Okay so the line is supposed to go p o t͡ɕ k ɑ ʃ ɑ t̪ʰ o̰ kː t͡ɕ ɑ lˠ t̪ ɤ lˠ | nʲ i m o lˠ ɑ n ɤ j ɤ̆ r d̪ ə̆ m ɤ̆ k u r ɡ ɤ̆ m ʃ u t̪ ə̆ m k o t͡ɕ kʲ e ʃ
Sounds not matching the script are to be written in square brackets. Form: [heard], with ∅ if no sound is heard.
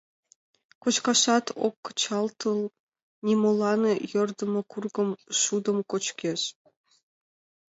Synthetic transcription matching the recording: [k] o t͡ɕ k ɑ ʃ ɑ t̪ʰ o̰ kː t͡ɕ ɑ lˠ t̪ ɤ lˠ | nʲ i m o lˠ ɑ n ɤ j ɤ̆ r d̪ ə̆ m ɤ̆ k u r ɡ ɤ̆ m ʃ u [d̪] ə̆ m k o t͡ɕ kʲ e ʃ